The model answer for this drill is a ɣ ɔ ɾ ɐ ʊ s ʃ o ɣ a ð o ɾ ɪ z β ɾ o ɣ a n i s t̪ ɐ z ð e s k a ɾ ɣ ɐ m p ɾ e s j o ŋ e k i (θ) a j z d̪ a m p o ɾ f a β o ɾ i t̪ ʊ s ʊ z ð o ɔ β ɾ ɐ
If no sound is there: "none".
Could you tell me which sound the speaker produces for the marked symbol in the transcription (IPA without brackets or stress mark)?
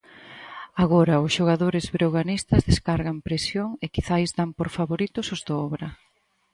θ